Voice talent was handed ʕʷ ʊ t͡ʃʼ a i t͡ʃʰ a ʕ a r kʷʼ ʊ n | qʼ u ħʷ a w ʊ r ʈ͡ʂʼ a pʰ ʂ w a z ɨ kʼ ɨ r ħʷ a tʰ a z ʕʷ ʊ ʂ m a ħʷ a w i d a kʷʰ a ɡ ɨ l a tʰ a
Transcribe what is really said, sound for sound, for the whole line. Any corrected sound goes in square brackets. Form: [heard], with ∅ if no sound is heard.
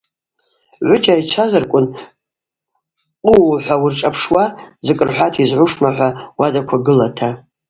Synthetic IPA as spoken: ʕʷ ʊ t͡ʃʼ a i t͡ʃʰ a [z] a r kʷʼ ʊ n | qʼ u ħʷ a w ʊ r ʈ͡ʂʼ a pʰ ʂ w a z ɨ kʼ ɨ r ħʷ a tʰ [i] z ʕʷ ʊ ʂ m a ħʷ a w [a] d a kʷʰ a ɡ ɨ l a tʰ a